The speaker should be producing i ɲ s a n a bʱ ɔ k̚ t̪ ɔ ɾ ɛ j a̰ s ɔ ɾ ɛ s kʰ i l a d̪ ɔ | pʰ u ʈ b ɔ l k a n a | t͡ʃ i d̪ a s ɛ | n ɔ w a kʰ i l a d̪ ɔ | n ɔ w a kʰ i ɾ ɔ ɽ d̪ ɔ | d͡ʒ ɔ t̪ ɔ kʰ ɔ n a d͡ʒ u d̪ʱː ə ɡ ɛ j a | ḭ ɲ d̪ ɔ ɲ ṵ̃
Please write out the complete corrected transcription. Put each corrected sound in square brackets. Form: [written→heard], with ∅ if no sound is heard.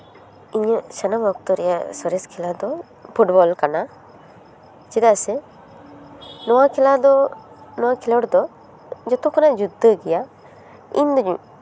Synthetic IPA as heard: i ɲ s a n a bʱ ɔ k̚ t̪ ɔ ɾ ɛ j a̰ s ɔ ɾ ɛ s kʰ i l a d̪ ɔ | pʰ u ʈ b ɔ l k a n a | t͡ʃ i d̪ a s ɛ | n ɔ w a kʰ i l a d̪ ɔ | n ɔ w a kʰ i [ɾ→l] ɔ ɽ d̪ ɔ | d͡ʒ ɔ t̪ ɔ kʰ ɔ n a d͡ʒ u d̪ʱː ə ɡ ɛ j a | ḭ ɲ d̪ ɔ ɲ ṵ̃